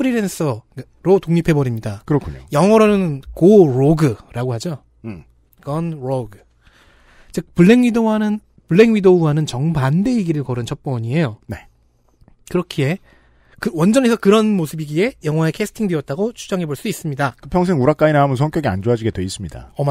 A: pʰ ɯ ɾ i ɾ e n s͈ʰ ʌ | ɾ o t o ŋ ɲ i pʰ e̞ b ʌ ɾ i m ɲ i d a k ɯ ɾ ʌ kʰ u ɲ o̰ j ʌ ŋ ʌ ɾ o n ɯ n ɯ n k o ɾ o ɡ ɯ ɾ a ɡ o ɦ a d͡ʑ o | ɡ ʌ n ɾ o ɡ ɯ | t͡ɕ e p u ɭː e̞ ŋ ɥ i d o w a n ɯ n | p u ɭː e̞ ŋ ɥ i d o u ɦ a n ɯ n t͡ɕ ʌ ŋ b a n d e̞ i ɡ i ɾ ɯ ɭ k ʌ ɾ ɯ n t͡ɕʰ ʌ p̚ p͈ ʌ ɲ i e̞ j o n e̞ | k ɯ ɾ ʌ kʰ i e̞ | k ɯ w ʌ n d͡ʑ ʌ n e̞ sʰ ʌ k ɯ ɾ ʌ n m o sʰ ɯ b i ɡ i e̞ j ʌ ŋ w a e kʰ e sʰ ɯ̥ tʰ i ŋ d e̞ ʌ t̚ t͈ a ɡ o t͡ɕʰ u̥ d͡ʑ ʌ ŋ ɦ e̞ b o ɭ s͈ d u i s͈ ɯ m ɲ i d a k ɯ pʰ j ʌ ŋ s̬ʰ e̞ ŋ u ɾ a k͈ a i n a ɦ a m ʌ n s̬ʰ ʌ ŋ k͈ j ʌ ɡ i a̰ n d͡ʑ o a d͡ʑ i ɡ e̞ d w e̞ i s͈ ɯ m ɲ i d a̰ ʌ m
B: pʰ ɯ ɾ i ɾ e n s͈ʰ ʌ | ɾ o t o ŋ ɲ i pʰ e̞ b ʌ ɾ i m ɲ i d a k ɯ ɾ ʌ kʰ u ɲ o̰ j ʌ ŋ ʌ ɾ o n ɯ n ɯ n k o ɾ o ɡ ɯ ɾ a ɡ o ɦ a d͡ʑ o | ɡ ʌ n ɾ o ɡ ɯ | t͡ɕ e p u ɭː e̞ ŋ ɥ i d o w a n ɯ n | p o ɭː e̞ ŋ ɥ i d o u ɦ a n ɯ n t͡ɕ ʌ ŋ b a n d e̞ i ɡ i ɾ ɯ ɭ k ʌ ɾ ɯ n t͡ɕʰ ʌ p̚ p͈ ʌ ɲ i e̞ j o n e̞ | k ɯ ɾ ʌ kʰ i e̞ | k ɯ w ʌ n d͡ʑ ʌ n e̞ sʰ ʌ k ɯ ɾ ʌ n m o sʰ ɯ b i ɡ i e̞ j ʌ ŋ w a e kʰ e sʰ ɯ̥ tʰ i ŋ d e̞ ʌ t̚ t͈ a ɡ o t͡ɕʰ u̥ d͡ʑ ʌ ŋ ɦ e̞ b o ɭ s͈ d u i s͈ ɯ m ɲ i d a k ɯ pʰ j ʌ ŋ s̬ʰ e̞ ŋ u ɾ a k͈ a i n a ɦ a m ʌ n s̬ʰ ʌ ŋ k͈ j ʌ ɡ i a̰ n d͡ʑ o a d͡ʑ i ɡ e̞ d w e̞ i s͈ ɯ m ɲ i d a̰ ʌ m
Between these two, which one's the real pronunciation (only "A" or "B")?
A